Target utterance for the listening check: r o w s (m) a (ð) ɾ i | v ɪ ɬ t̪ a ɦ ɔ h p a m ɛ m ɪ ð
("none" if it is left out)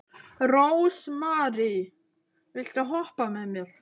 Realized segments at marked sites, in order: m, none

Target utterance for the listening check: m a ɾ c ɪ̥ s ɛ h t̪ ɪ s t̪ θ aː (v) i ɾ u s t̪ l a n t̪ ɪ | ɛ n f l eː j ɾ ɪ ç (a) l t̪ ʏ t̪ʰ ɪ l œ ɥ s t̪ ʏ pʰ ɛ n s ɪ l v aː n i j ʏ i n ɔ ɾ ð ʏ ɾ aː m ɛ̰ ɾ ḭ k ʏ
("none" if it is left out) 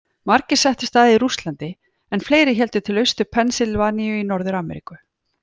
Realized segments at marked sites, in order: ð, ɛ

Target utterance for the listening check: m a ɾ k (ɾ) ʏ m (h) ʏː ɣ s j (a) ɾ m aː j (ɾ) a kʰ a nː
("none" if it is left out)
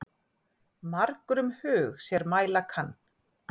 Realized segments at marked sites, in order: ɾ, h, ɛ, l

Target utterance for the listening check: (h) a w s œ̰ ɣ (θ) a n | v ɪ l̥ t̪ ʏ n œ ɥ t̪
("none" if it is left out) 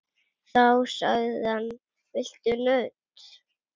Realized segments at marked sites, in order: θ, ð

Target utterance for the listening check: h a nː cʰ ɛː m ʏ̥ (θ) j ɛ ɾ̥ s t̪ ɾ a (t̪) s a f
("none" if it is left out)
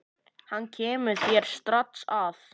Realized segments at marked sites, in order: θ, t̪

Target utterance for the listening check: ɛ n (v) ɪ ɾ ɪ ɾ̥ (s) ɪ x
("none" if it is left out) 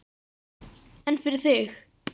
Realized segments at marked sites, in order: f, θ

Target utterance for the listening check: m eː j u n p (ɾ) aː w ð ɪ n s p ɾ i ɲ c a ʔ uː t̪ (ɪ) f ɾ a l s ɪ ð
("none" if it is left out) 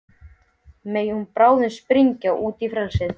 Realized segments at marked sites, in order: ɾ, i

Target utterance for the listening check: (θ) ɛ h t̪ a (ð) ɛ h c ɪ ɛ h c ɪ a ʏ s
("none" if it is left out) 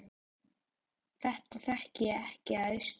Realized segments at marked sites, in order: θ, θ

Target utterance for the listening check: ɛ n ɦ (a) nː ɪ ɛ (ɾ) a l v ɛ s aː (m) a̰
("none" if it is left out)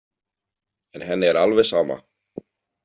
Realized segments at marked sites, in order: ɛ, ɾ, m

